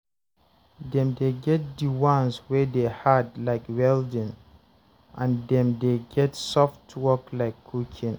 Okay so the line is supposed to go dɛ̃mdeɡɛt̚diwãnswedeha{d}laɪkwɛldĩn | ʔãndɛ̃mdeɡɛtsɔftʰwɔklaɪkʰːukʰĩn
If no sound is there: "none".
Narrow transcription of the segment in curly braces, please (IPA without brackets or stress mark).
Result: d